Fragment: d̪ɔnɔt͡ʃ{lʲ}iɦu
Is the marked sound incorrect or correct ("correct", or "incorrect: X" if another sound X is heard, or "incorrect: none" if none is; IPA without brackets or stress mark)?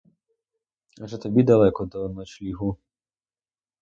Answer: correct